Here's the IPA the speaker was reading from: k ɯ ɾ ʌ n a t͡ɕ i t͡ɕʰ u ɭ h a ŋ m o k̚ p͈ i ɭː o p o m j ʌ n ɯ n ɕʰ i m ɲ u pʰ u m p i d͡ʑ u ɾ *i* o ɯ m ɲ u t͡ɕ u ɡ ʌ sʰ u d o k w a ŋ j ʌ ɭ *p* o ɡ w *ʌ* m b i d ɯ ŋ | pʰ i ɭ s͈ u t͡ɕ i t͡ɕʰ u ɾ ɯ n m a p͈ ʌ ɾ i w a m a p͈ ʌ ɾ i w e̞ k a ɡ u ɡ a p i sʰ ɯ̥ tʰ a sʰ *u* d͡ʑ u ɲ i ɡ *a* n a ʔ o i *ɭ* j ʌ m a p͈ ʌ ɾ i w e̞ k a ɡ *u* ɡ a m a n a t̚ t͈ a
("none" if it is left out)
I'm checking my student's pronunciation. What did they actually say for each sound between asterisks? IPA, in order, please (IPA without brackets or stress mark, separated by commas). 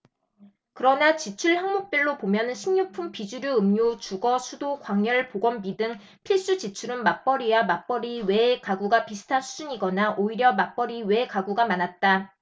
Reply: j, p, ʌ, u, ʌ, ɾ, u